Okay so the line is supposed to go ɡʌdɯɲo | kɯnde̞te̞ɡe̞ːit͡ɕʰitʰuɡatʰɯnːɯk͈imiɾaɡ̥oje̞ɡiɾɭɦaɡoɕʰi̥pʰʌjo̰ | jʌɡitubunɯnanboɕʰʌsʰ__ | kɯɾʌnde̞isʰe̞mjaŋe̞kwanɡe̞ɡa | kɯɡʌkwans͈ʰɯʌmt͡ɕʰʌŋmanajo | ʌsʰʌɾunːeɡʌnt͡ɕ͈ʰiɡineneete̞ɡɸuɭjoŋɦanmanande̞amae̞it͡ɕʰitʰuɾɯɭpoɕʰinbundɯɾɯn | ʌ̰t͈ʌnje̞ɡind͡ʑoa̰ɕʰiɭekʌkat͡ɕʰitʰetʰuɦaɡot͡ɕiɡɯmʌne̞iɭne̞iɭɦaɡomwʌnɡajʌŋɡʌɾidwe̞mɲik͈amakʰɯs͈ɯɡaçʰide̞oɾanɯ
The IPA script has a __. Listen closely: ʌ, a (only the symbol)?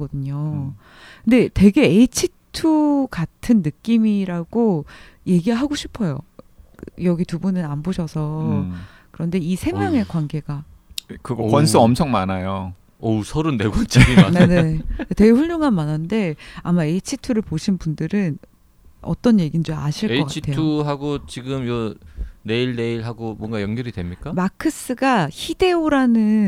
ʌ